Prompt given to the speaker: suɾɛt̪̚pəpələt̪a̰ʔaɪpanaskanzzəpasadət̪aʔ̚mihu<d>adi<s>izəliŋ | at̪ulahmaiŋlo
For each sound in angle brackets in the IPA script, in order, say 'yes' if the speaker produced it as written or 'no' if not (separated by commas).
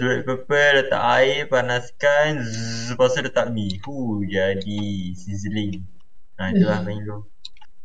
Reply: no, yes